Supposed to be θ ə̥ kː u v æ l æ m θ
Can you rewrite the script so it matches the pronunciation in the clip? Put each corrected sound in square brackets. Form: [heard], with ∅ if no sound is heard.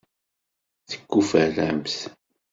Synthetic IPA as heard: θ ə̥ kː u [f] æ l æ m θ